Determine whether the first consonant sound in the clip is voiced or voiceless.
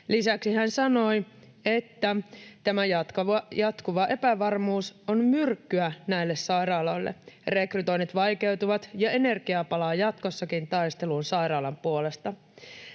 voiced